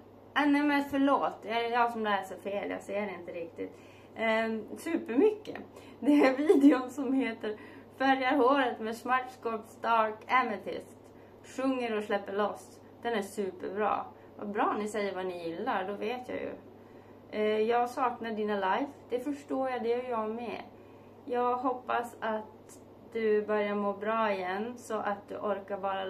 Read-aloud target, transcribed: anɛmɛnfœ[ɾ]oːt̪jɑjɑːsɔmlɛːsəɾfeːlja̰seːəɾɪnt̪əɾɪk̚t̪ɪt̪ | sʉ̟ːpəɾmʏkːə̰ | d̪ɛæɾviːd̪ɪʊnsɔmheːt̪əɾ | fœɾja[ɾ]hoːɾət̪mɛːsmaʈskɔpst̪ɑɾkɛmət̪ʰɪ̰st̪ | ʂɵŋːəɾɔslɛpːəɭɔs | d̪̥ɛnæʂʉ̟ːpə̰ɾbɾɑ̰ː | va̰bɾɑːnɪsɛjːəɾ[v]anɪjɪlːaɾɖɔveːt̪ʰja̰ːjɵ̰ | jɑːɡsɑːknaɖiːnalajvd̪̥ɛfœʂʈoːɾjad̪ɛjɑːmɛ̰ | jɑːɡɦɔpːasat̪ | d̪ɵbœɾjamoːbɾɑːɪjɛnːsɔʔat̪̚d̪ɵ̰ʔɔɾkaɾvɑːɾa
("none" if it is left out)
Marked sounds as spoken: ɭ, ɾ, v

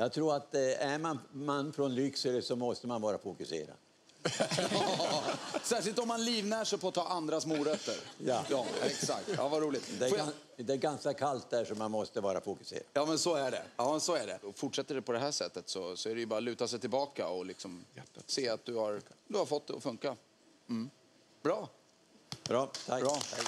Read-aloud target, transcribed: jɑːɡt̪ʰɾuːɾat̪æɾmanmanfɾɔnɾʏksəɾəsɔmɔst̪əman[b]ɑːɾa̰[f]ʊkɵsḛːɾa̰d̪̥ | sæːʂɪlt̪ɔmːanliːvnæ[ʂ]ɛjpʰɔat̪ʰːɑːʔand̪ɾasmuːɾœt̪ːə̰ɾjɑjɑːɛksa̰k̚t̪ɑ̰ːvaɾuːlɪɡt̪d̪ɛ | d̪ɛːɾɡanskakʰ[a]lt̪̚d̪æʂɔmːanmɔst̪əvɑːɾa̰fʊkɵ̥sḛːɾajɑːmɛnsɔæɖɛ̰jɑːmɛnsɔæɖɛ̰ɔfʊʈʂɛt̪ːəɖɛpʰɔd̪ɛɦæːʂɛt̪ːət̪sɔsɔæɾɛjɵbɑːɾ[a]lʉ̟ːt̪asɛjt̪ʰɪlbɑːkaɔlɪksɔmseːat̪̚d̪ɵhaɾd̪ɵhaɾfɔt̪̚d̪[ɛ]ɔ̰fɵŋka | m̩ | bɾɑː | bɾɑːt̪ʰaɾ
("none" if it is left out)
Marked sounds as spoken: v, f, ʂ, a, a, ɛ

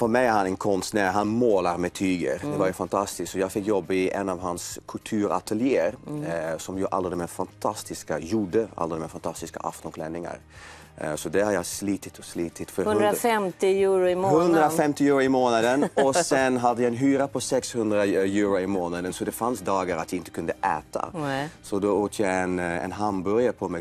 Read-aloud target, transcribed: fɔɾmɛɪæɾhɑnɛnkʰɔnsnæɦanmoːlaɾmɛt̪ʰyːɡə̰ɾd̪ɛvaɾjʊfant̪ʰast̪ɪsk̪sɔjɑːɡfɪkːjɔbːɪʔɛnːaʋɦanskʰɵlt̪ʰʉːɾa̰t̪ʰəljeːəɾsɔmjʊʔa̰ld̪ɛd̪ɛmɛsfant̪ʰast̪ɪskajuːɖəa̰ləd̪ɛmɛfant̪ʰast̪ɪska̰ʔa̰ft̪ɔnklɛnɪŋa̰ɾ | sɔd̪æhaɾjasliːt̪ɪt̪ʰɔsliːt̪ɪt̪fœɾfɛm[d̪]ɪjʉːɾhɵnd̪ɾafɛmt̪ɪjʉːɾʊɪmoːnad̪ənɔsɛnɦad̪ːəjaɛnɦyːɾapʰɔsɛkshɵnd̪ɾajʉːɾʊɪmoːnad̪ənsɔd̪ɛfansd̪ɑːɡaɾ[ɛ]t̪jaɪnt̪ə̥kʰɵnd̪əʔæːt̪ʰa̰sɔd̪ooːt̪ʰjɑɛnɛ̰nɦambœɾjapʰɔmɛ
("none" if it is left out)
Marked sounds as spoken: t̪, a

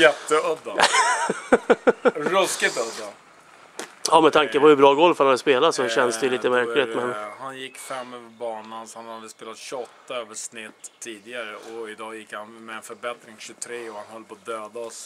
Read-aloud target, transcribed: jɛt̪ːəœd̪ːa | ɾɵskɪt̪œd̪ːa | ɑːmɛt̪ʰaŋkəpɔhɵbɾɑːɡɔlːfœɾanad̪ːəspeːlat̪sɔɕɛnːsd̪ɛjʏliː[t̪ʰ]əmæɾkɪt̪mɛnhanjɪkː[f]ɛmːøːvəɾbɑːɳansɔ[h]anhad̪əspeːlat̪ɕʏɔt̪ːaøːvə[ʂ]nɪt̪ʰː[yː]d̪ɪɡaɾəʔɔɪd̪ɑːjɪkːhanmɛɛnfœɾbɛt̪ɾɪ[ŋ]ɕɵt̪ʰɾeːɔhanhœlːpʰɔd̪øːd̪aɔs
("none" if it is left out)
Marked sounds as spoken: t̪, f, h, ʂ, iː, ŋ

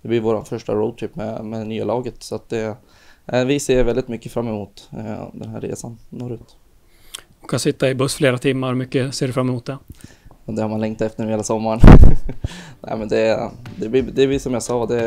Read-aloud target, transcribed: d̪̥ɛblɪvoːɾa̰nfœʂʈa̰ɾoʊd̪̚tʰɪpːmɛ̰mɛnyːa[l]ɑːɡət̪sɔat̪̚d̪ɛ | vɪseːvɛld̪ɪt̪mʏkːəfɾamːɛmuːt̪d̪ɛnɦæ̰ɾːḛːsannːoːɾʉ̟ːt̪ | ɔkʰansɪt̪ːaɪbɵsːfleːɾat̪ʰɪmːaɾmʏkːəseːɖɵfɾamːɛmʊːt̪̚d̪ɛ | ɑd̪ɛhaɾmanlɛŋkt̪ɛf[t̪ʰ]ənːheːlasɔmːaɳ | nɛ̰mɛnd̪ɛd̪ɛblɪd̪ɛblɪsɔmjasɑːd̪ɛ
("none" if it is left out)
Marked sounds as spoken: l, t̪

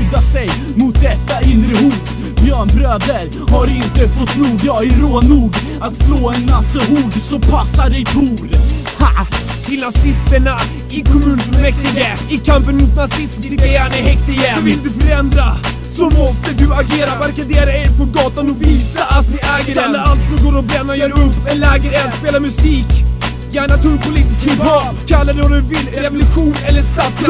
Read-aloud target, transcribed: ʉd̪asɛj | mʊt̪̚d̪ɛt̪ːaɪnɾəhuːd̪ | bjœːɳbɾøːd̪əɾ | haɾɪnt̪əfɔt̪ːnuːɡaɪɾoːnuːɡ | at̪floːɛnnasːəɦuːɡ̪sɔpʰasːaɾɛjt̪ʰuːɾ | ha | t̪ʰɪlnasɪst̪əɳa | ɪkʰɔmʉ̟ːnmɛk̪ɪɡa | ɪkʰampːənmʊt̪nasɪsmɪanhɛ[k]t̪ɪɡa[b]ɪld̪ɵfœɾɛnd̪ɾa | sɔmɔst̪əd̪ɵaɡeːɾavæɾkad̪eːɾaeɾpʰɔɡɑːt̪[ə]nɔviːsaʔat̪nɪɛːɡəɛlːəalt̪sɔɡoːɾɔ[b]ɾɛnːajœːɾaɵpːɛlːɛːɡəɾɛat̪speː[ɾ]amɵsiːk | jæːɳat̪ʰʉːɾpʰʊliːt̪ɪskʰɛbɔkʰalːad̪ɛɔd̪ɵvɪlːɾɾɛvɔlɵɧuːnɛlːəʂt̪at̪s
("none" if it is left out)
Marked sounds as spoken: k, v, a, b, l

